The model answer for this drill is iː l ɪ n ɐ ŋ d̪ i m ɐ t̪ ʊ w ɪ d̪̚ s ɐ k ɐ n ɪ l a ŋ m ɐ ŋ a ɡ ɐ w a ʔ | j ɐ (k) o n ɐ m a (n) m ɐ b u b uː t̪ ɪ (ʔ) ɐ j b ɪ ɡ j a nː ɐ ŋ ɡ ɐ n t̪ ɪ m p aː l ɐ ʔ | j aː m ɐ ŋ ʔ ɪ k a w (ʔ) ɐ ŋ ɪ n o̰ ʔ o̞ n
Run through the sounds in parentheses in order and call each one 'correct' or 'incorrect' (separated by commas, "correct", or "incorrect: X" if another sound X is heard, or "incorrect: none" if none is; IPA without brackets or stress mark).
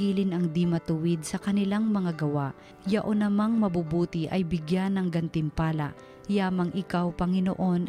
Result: incorrect: ʔ, incorrect: ŋ, correct, incorrect: p